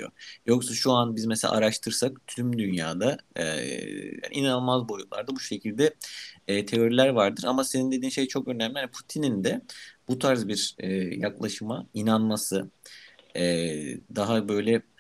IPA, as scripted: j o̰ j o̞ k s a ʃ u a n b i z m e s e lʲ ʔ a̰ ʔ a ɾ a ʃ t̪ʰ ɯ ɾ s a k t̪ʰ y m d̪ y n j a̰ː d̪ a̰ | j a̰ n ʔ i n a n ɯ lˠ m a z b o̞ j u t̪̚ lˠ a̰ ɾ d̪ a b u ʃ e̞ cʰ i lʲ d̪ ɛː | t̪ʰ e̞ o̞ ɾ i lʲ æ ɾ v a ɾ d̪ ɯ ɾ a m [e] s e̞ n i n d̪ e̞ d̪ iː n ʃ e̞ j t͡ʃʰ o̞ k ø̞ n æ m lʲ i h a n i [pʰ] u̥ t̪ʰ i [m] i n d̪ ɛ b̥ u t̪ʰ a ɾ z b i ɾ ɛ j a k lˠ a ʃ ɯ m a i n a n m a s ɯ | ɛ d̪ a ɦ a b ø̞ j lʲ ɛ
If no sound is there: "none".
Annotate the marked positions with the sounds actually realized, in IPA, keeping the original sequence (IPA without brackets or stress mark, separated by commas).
a, pʰ, n